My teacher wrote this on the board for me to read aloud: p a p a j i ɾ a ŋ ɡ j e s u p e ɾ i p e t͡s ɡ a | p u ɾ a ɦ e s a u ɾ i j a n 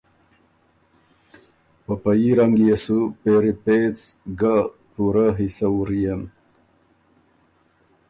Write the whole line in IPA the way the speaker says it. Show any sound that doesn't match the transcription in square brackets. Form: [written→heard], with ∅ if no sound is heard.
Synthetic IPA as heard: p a p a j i ɾ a ŋ ɡ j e s u p e ɾ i p e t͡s ɡ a | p u ɾ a ɦ [e→i] s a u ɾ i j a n